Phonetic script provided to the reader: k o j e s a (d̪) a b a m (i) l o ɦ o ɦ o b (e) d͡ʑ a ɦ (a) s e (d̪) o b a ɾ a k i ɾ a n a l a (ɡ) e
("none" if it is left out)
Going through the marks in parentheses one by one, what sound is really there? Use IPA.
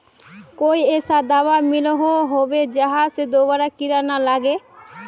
d̪, i, e, a, d̪, ɡ

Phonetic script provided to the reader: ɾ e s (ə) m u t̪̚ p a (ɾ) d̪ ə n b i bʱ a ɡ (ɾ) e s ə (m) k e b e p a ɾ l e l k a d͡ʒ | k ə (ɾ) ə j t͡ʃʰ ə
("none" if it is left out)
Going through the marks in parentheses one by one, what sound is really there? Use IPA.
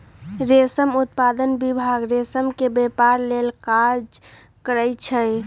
ə, none, ɾ, m, ɾ

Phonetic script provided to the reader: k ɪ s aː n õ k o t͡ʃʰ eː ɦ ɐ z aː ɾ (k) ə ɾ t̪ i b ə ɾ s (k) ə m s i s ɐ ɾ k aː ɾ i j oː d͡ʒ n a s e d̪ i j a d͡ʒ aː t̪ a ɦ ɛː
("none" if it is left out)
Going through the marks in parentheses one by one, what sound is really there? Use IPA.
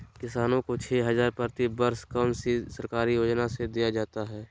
p, k

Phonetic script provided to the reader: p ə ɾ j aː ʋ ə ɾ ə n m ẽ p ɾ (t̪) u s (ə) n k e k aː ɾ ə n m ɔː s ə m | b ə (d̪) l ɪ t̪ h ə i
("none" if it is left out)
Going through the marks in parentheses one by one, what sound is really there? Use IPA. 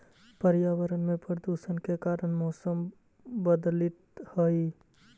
d̪, ə, d̪

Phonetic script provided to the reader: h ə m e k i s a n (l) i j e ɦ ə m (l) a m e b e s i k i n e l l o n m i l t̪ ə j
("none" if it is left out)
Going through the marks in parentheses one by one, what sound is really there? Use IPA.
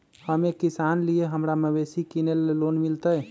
l, ɾ

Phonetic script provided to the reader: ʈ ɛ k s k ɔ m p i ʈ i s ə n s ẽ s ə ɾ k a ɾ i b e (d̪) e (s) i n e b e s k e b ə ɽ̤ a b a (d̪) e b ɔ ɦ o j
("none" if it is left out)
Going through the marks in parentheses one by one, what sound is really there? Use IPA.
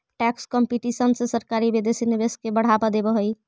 d̪, s, d̪

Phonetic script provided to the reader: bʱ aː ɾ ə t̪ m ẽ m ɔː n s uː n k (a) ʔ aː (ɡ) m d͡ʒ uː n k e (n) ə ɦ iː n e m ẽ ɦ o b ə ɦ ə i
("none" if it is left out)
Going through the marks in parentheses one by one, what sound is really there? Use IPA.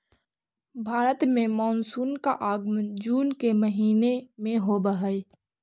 a, ɡ, m

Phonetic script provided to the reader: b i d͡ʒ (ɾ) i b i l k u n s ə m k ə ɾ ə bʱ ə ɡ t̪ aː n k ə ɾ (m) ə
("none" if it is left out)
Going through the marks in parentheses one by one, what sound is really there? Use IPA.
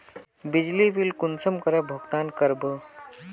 l, b

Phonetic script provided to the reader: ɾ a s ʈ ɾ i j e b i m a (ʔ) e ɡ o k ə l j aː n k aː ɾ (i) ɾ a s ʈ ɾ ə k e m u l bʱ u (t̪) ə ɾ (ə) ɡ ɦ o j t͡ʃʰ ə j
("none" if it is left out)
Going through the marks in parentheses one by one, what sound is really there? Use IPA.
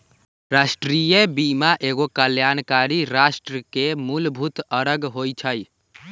ʔ, i, t̪, ə

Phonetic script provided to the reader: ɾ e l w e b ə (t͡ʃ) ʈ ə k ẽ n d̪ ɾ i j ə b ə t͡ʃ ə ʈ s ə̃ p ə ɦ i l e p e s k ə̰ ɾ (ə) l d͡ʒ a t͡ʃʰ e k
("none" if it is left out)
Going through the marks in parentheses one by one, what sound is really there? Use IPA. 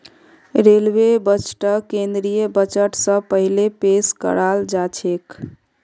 t͡ʃ, a

